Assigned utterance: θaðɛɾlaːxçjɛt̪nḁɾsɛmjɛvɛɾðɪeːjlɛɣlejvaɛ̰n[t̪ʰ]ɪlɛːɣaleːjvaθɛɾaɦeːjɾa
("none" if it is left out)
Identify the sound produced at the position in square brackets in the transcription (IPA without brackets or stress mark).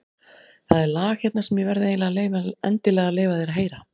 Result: t̪